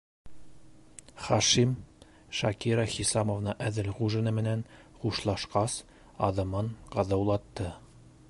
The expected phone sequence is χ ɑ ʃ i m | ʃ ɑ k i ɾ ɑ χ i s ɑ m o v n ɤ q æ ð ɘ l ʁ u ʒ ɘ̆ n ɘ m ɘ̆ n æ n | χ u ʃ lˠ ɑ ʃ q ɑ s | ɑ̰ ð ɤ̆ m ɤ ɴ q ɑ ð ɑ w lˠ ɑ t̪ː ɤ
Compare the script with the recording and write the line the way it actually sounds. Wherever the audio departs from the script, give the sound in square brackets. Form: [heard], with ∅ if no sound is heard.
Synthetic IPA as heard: χ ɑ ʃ i m | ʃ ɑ k i ɾ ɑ χ i s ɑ m o v n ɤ [ʔ] æ ð ɘ l ʁ u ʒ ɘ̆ n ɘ m ɘ̆ n æ n | χ u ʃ lˠ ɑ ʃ q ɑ s | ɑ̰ ð ɤ̆ m ɤ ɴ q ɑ ð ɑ w lˠ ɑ t̪ː ɤ